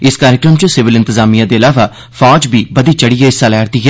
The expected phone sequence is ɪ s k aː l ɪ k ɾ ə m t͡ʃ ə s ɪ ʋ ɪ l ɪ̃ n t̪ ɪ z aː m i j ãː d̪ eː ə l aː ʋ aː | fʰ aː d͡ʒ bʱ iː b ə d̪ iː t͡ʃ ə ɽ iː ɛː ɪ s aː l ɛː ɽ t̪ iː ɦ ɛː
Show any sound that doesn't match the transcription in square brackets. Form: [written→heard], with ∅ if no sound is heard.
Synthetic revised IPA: ɪ s k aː [l→ɾ] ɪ k ɾ ə m t͡ʃ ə s ɪ ʋ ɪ l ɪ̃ n t̪ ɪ z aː m i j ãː d̪ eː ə l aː ʋ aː | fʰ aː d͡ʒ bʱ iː b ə d̪ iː t͡ʃ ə ɽ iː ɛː ɪ s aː l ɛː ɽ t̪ iː ɦ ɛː